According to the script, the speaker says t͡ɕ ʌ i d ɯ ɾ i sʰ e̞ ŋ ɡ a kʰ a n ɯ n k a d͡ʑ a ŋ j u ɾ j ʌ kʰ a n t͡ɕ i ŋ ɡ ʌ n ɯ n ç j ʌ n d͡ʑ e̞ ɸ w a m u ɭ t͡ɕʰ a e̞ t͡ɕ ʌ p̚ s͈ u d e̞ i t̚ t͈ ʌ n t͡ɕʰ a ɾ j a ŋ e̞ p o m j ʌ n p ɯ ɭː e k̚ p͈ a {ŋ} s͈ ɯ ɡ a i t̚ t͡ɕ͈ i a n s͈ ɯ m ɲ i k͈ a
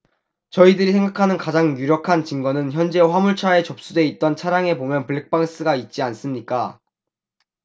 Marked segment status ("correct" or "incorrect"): correct